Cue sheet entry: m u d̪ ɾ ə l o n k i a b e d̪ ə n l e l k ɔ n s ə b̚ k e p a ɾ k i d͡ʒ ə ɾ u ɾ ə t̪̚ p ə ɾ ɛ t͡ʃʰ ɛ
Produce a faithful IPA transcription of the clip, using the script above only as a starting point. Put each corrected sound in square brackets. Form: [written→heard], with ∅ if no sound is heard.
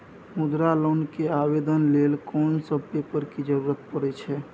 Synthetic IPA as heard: m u d̪ ɾ [ə→a] l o n k [i→e] a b e d̪ ə n l e l k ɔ n s ə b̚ [k→p] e p [a→ə] ɾ k i d͡ʒ ə ɾ u ɾ ə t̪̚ p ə ɾ ɛ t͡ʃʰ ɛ